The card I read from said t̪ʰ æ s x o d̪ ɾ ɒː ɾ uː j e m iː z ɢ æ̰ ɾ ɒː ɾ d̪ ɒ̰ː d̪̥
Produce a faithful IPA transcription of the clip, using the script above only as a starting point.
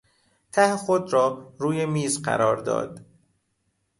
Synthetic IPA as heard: t̪ʰ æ h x o d̪ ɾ ɒː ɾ uː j e m iː z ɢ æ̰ ɾ ɒː ɾ d̪ ɒ̰ː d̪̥

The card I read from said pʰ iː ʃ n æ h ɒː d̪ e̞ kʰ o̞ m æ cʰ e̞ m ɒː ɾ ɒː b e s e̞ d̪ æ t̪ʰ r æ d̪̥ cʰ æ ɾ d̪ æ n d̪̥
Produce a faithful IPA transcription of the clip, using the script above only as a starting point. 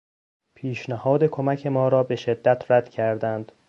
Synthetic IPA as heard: pʰ iː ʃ n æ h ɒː d̪ e̞ kʰ o̞ m æ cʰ e̞ m ɒː ɾ ɒː b e ʃ e̞ d̪ː æ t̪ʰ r æ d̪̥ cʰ æ ɾ d̪ æ n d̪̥

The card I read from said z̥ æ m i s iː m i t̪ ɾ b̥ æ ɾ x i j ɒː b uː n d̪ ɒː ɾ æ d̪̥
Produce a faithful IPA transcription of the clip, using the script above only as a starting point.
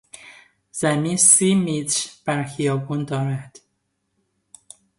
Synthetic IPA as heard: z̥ æ m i s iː m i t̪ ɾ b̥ æ ɾ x i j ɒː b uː n d̪ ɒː ɾ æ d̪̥

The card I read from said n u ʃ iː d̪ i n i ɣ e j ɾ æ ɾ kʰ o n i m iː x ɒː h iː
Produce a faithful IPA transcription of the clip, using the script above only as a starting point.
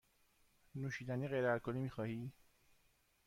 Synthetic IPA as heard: n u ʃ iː d̪ æ n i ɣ e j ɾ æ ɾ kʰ o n i m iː x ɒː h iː

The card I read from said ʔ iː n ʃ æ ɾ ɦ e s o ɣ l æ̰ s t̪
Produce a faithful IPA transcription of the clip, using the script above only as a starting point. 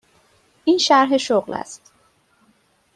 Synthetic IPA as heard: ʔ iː n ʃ æ ɾ ɦ e ʃ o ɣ l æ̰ s t̪

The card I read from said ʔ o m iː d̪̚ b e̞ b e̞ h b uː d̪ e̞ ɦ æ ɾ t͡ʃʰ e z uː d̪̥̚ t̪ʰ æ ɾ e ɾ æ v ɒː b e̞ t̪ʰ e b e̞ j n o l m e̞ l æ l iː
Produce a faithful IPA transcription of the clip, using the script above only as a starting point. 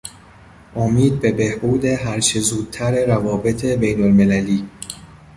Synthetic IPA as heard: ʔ o m iː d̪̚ b e̞ b e̞ h b uː d̪ e̞ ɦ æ ɾ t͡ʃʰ e z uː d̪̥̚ t̪ʰ æ ɾ e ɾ æ v ɒː b e̞ t̪ʰ e b e̞ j n o l m e̞ l æ l iː

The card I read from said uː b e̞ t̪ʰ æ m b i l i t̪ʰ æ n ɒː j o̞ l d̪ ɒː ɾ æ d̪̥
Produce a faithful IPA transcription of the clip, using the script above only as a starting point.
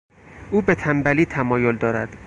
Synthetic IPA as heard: uː b e̞ t̪ʰ æ m b æ l iː t̪ʰ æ m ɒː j o̞ l d̪ ɒː ɾ æ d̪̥

